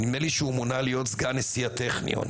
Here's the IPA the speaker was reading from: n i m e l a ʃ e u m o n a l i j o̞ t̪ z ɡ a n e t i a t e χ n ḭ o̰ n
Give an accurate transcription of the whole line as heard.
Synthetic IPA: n i m e l i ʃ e u m o n a l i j o̞ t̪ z ɡ a n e s i a t e χ n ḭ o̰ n